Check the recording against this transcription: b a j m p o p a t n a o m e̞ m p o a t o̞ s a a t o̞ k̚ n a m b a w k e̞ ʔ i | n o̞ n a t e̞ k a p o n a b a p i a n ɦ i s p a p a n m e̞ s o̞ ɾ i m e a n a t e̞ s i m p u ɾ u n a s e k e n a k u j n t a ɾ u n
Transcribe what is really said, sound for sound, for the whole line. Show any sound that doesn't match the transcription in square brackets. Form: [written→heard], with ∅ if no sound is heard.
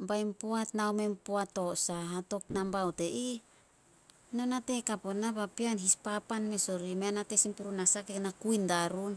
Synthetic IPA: b a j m p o [p→∅] a t n a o m e̞ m p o a t o̞ s a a t o̞ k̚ n a m b a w [k→t] e̞ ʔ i | n o̞ n a t e̞ k a p o n a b a p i a n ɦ i s p a p a n m e̞ s o̞ ɾ i m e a n a t e̞ s i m p u ɾ u n a s [e→a] k e n a k u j n [t→d] a ɾ u n